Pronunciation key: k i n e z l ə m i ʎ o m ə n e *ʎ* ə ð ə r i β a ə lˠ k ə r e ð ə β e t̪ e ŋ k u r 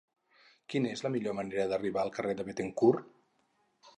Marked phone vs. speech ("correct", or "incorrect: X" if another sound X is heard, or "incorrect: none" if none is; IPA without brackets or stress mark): incorrect: ɾ